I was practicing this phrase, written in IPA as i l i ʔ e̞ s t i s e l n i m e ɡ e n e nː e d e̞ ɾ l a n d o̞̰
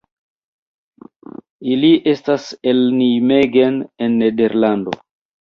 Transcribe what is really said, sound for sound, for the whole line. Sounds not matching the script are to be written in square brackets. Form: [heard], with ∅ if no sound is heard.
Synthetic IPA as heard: i l i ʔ e̞ s t [a] s e l n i m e ɡ e n e nː e d e̞ ɾ l a n d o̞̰